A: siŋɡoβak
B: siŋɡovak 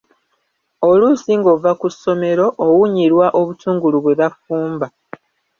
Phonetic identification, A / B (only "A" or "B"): B